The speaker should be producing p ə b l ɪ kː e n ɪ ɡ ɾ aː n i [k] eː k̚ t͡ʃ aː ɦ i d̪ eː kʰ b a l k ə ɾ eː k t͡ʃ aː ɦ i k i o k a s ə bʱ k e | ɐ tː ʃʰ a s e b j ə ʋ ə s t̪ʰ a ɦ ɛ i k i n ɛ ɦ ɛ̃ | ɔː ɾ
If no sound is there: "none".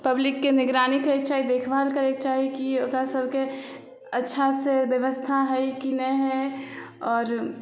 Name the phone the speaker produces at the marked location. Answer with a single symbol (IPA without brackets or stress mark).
k